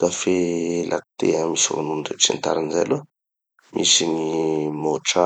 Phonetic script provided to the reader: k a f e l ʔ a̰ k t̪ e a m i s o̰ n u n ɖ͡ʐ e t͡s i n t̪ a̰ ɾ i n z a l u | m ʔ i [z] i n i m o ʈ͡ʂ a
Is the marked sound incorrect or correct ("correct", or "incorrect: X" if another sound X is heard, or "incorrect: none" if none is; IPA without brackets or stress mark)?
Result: incorrect: s